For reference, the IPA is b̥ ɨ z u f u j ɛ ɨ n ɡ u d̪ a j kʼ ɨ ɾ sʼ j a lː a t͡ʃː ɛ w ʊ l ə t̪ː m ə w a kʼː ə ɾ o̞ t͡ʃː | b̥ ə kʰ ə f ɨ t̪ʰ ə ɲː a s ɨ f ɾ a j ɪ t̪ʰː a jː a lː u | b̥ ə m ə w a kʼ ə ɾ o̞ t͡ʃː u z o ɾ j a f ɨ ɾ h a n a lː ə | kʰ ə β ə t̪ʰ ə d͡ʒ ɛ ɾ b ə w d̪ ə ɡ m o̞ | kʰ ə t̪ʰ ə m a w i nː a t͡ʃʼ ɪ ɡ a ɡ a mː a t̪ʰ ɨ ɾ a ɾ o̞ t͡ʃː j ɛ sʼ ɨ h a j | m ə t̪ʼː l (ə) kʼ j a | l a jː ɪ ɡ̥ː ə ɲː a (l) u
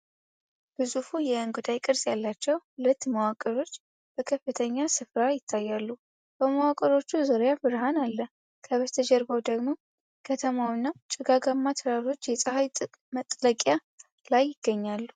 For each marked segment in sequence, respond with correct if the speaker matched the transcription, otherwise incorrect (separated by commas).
correct, incorrect